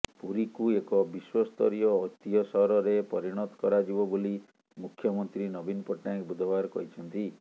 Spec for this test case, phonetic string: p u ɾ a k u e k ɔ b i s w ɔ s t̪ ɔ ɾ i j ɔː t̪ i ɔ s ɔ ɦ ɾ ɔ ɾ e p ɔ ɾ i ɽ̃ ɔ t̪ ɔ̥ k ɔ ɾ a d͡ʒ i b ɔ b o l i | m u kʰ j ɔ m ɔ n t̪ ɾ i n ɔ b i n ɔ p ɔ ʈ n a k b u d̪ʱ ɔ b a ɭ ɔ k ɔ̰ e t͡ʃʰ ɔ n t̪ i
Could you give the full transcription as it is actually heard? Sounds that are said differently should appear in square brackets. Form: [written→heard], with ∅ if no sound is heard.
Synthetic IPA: p u ɾ [a→i] k u e k ɔ b i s w ɔ s t̪ ɔ ɾ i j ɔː t̪ i ɔ s ɔ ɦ ɾ ɔ ɾ e p ɔ ɾ i ɽ̃ ɔ t̪ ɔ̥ k ɔ ɾ a d͡ʒ i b ɔ b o l i | m u kʰ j ɔ m ɔ n t̪ ɾ i n ɔ b i n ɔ p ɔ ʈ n a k b u d̪ʱ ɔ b a [ɭ→ɾ] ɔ k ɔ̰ [e→i] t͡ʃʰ ɔ n t̪ i